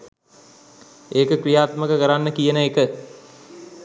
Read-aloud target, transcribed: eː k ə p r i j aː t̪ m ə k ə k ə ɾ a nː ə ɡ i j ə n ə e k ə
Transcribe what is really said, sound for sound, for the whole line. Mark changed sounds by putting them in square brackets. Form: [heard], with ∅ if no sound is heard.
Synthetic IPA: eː k ə [k] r i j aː t̪ m ə k ə k ə ɾ a nː ə [k] i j ə n ə e k ə